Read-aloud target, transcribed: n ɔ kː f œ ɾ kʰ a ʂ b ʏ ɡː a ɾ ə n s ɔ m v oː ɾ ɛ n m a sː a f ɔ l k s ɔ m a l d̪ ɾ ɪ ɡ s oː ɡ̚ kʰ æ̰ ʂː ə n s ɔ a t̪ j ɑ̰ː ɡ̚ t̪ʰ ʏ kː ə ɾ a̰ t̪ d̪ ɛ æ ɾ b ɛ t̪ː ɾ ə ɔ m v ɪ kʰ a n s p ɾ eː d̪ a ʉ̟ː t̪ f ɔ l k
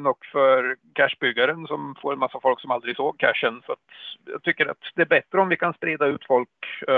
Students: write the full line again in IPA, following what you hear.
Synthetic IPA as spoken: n ɔ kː f œ ɾ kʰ æ ʂ b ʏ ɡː a ɾ ə n s ɔ m f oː ɾ ɛ n m a sː a f ɔ l k s ɔ m a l d̪ ɾ ɪ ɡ s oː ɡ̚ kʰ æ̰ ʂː ə n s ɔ a t̪ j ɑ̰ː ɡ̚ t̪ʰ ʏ kː ə ɾ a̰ t̪ d̪ ɛ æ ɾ b ɛ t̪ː ɾ ə ɔ m v ɪ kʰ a n s p ɾ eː d̪ a ʉ̟ː t̪ f ɔ l k